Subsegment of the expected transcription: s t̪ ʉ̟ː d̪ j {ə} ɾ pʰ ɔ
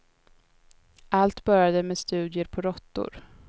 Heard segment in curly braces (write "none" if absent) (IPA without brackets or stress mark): ə